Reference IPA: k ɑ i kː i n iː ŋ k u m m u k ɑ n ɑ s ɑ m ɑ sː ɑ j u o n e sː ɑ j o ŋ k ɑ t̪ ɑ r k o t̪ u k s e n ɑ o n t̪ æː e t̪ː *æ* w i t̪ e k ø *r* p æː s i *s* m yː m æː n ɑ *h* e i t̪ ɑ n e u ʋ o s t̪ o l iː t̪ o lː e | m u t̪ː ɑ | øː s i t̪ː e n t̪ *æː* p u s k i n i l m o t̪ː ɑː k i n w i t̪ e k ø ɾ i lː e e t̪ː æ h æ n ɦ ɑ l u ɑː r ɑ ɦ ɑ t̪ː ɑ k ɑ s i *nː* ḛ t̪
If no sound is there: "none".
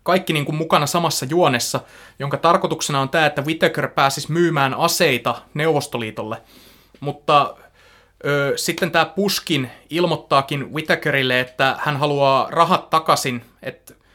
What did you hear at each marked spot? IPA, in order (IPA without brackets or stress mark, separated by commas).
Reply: æ, r, s, s, æː, n